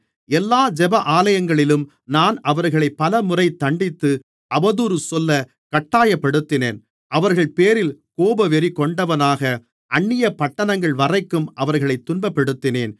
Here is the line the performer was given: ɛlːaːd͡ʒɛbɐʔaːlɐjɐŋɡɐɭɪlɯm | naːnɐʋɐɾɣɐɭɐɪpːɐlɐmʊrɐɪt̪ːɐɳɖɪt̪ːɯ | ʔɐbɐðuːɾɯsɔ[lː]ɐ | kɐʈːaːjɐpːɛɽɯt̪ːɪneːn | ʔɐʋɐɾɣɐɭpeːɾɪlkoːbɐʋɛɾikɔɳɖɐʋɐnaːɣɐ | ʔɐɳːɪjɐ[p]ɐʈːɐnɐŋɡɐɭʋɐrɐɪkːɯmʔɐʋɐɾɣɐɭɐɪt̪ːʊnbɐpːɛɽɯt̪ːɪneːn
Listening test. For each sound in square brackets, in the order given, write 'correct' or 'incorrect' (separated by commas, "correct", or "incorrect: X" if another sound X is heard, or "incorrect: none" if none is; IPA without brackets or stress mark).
correct, correct